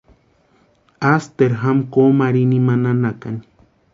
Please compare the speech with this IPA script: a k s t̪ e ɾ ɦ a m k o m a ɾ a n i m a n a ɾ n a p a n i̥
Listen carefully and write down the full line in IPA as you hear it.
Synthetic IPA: a s t̪ e ɾ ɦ a m k o m a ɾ i n i m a n a n a k a n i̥